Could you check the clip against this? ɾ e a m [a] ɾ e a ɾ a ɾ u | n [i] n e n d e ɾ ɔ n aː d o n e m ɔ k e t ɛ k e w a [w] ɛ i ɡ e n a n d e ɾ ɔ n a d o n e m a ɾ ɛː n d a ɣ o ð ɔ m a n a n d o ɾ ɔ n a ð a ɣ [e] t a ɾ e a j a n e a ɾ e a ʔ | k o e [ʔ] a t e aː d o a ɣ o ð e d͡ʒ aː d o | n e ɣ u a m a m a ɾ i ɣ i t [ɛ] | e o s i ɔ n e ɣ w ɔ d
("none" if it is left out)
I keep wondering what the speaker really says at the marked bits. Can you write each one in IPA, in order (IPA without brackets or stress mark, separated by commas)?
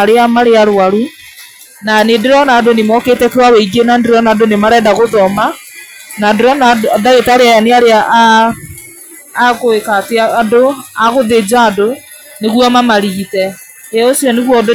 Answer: a, a, w, e, k, ɛ